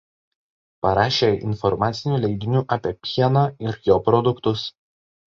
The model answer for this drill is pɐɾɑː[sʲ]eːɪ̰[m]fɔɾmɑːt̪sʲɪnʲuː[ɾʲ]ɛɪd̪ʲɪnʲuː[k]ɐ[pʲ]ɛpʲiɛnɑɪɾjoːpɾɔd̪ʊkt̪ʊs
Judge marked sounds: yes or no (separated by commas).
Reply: no, no, no, no, yes